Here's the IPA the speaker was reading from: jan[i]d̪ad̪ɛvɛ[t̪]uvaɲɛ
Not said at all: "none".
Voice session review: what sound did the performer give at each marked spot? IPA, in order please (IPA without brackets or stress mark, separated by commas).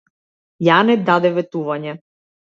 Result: ɛ, t̪